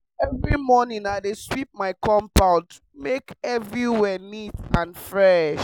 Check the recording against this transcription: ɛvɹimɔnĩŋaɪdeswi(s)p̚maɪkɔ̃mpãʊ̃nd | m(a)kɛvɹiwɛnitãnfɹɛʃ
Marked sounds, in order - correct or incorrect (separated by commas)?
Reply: incorrect, incorrect